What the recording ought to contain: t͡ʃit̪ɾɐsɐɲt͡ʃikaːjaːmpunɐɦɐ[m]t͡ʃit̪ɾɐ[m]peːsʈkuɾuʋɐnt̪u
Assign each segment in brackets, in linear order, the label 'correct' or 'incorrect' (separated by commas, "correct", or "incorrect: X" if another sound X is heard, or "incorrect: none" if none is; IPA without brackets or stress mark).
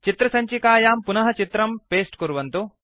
incorrect: none, correct